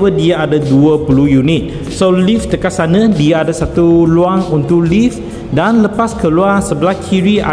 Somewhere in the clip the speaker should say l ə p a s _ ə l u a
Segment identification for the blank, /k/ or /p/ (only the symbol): k